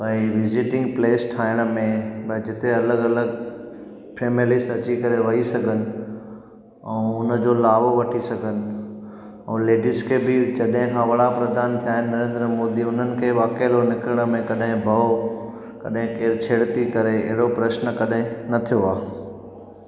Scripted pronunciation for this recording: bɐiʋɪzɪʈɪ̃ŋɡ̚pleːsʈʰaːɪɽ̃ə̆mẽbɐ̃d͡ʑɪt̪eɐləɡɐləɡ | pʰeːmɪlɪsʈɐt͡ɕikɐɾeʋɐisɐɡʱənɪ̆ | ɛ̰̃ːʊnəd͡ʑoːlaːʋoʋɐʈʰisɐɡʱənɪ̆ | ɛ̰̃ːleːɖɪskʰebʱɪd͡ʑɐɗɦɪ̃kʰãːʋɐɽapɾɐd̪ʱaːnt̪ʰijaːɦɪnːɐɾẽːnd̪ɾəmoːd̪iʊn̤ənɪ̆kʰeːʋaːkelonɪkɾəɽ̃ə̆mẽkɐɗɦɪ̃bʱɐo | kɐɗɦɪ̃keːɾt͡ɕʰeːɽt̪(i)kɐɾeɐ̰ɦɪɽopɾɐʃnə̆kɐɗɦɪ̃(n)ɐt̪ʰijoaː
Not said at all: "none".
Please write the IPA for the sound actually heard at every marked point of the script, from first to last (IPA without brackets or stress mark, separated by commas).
i, n